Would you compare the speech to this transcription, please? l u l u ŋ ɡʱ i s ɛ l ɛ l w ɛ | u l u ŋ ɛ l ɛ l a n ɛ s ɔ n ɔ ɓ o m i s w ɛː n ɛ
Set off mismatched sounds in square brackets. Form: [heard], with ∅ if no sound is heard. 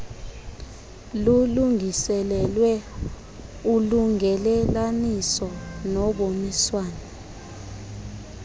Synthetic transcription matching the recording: l u l u ŋ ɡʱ i s ɛ l ɛ l w ɛ | u l u ŋ ɛ l ɛ l a n [i] s ɔ n ɔ ɓ o m i s w [aː] n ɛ